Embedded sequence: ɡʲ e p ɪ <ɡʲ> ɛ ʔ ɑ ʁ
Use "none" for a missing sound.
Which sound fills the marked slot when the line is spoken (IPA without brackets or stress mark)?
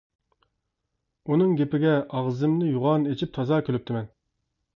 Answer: ɡʲ